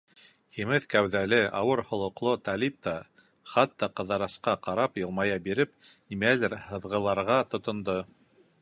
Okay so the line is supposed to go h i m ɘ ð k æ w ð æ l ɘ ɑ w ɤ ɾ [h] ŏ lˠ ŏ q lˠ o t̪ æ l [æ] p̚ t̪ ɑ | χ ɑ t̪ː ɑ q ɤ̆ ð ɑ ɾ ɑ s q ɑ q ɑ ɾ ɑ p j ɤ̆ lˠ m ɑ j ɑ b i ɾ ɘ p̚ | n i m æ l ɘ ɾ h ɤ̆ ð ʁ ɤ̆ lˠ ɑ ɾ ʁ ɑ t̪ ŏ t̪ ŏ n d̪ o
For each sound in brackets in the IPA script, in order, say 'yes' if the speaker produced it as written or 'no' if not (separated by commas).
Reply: yes, no